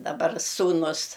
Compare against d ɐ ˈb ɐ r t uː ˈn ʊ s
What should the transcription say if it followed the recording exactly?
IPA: d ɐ ˈb ɐ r s uː ˈn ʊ s